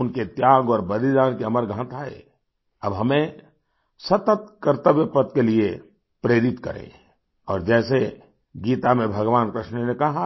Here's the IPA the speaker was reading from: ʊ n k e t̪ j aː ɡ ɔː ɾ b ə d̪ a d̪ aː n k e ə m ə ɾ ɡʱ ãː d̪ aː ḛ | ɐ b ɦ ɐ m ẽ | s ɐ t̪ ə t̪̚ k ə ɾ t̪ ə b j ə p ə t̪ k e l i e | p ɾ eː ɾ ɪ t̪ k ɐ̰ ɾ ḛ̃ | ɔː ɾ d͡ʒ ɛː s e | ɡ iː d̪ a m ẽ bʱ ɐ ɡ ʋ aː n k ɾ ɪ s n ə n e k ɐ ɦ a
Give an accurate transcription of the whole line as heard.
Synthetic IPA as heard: ʊ n k e t̪ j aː ɡ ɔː ɾ b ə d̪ i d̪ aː n k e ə m ə ɾ ɡʱ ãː t̪ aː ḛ | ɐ b ɦ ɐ m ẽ | s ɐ t̪ ə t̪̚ k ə ɾ t̪ ə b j ə p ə t̪ k e l i e | p ɾ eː ɾ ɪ t̪ k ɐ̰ ɾ ḛ̃ | ɔː ɾ d͡ʒ ɛː s e | ɡ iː t̪ a m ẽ bʱ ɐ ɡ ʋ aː n k ɾ ɪ ʃ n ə n e k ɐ ɦ a